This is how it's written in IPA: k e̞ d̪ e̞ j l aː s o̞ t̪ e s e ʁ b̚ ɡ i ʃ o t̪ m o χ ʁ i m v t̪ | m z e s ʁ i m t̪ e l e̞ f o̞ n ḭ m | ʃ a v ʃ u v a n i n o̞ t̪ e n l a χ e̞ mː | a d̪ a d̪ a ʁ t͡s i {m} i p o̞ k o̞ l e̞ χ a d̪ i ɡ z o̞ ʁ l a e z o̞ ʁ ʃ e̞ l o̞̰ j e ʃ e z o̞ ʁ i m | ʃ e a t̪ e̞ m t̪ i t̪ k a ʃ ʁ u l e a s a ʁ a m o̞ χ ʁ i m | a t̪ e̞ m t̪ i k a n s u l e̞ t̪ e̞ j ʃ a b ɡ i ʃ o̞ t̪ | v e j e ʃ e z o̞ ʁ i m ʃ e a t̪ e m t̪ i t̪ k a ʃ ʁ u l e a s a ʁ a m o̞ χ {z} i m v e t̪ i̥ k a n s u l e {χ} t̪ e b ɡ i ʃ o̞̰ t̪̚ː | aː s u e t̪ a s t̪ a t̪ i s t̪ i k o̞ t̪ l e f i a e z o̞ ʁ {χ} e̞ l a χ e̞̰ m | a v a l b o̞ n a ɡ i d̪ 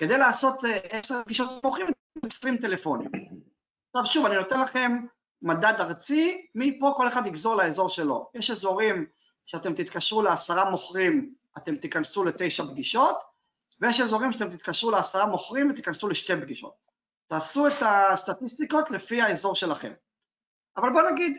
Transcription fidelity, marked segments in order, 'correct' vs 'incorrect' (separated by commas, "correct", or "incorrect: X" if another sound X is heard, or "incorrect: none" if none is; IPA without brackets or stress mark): correct, incorrect: ʁ, incorrect: ʃ, incorrect: ʃ